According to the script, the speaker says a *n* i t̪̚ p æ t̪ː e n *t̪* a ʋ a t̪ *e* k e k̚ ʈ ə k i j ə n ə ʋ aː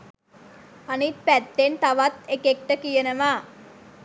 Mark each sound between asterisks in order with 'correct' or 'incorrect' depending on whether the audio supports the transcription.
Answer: correct, correct, correct

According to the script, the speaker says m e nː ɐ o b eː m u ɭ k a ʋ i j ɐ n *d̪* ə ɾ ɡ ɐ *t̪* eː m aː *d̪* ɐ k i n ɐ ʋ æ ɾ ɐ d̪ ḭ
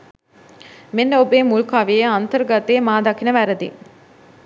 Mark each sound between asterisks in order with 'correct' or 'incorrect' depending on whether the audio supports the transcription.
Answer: incorrect, correct, correct

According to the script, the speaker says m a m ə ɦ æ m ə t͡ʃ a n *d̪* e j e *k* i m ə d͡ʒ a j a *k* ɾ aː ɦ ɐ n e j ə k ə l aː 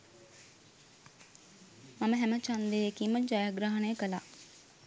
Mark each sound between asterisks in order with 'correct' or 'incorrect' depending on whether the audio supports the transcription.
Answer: correct, correct, incorrect

